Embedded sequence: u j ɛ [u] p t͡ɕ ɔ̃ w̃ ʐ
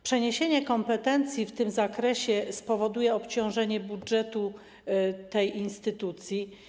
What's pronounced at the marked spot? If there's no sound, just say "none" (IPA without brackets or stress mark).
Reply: ɔ